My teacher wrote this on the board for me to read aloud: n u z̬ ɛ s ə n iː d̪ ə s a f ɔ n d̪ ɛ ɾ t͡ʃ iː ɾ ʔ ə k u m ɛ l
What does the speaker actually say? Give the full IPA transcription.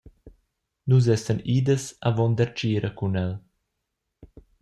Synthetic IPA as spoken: n u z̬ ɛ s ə n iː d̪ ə s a v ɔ n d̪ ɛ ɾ t͡ʃ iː ɾ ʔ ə k u n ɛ l